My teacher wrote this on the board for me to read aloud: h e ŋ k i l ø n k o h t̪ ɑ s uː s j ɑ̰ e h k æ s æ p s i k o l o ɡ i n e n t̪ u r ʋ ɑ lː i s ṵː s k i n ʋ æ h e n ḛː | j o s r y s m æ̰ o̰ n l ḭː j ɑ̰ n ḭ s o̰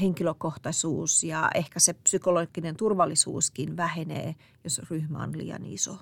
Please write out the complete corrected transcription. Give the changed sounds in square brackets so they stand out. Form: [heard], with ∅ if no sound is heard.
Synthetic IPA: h e ŋ k i l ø [∅] k o h t̪ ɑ s uː s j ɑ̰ e h k æ s [e] p s [y] k o l o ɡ i n e n t̪ u r ʋ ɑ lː i s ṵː s k i n ʋ æ h e n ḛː | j o s r y [h] m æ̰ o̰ n l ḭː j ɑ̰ n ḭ s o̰